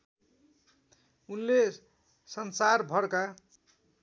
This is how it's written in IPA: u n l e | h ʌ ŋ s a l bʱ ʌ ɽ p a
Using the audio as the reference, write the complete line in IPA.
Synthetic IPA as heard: u n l e | s ʌ n s a r bʱ ʌ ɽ k a